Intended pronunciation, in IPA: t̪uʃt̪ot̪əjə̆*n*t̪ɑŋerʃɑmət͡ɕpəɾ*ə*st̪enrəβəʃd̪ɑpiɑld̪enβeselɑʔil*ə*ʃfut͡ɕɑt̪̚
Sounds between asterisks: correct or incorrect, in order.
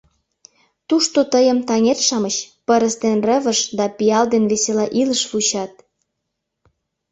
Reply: incorrect: m, correct, correct

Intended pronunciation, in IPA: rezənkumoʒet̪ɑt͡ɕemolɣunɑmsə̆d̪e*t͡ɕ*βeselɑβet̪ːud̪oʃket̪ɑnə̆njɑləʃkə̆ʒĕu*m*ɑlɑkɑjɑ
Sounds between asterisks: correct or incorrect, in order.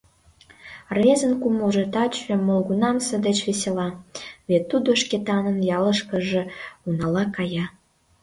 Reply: correct, incorrect: n

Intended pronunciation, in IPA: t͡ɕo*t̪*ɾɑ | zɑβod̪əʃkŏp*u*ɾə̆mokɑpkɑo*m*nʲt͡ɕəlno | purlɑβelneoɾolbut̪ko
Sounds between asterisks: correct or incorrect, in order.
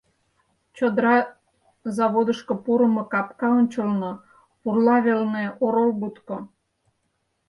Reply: incorrect: d̪, correct, incorrect: none

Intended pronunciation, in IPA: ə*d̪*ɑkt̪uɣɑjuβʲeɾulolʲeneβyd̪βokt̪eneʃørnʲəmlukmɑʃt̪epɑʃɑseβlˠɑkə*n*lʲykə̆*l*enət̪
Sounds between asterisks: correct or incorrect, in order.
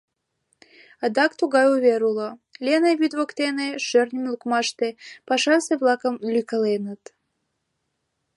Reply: correct, incorrect: m, correct

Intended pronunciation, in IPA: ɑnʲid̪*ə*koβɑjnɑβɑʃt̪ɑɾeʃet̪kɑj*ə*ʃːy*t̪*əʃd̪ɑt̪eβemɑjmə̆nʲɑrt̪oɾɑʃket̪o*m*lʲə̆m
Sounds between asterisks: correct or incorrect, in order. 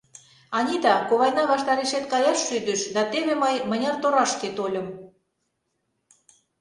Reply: incorrect: ɑ, incorrect: ɑ, incorrect: d̪, incorrect: none

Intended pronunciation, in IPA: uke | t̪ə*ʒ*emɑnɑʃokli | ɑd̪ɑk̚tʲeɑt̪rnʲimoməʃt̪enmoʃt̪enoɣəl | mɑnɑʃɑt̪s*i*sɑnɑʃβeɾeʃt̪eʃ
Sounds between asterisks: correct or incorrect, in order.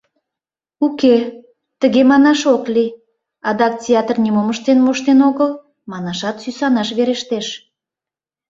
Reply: incorrect: ɣ, incorrect: y

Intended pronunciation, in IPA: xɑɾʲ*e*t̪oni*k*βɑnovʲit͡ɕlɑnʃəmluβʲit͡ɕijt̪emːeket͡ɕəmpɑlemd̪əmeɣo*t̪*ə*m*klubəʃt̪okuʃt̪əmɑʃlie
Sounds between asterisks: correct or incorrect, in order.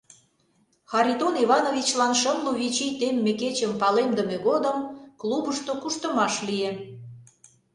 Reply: incorrect: i, incorrect: none, incorrect: d̪, correct

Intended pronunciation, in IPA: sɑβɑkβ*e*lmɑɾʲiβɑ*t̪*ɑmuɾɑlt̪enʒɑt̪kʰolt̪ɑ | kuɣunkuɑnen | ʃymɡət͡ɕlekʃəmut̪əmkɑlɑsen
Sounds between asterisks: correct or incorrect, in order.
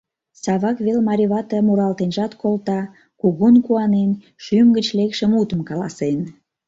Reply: correct, correct

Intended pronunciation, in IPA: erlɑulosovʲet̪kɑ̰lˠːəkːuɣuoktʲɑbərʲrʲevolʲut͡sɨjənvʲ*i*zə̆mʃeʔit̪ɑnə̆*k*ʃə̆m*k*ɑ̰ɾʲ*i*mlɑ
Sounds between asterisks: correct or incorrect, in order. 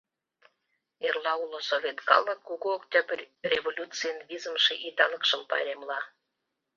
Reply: correct, correct, incorrect: p, incorrect: e

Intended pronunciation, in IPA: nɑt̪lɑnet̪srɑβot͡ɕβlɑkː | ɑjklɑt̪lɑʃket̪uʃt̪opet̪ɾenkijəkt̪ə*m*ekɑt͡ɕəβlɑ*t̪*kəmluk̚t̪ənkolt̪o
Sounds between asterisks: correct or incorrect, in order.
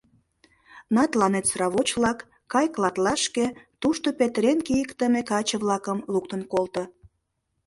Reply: correct, incorrect: none

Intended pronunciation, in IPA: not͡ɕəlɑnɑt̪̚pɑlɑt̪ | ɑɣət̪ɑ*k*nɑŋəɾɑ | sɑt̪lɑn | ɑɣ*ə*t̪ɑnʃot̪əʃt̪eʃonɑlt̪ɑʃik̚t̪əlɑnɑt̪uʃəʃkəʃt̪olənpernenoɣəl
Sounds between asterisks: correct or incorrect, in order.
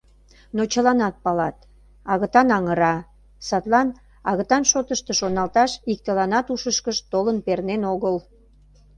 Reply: incorrect: none, correct

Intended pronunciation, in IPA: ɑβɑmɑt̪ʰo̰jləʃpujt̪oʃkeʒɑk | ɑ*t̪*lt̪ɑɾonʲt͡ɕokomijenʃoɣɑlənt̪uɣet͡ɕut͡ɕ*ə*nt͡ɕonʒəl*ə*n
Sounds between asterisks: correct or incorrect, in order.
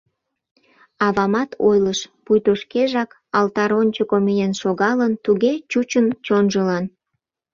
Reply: incorrect: none, correct, incorrect: ɑ

